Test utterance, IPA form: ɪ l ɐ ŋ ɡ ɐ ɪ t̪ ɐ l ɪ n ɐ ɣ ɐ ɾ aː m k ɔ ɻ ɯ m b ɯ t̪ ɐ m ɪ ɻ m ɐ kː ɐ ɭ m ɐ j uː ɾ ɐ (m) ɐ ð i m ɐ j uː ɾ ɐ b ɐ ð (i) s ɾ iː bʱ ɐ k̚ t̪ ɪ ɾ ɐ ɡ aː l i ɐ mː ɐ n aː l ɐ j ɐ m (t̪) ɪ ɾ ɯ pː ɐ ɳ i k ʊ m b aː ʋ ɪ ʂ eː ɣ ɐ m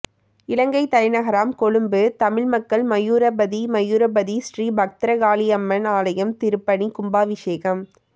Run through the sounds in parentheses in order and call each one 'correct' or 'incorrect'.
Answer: incorrect, correct, correct

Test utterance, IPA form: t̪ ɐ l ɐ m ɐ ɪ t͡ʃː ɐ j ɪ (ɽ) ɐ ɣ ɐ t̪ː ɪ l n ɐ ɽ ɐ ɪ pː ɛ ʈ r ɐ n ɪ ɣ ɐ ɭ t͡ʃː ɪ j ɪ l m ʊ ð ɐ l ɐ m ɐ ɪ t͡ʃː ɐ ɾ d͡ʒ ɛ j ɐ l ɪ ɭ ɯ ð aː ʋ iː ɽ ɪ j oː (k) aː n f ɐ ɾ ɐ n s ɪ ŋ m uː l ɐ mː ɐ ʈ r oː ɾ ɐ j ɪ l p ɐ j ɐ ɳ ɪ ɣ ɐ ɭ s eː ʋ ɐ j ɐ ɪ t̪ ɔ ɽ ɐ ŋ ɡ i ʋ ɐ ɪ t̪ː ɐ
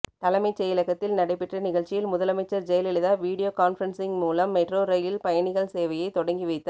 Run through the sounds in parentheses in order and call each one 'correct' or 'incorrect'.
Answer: incorrect, correct

